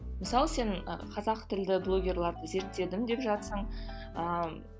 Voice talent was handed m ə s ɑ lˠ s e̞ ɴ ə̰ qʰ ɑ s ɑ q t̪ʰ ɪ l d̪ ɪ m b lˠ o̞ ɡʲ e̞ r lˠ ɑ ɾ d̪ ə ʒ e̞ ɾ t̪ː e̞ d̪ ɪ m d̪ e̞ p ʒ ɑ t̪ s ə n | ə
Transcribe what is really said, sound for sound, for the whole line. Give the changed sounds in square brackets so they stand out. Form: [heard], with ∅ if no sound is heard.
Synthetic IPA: m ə s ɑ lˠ s e̞ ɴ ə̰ qʰ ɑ [z] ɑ q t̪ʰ ɪ l d̪ ɪ [∅] b lˠ o̞ ɡʲ e̞ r lˠ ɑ ɾ d̪ ə [z] e̞ ɾ t̪ː e̞ d̪ ɪ m d̪ e̞ p ʒ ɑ t̪ s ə [ɴ] | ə